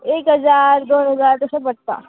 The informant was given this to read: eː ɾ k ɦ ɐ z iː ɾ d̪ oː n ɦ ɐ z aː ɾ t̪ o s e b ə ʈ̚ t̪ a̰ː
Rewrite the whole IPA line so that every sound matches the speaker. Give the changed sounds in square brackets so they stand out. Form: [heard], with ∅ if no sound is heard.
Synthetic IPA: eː [∅] k ɦ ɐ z [aː] ɾ d̪ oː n ɦ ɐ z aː ɾ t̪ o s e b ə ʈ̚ t̪ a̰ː